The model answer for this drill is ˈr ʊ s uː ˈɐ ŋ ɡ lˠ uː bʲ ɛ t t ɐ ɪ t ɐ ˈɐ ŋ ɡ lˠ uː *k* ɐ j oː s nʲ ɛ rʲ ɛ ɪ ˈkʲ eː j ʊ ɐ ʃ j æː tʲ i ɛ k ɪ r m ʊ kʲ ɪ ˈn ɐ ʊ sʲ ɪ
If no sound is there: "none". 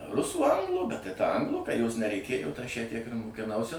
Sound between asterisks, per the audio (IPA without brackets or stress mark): k